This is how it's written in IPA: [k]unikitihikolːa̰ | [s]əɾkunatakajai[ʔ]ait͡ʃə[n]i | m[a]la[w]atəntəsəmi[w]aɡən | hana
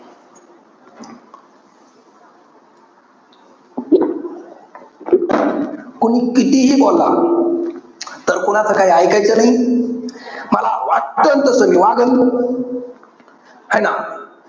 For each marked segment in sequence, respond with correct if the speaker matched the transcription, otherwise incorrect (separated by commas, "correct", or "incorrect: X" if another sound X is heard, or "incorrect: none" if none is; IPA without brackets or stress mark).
correct, incorrect: t, incorrect: k, correct, correct, correct, correct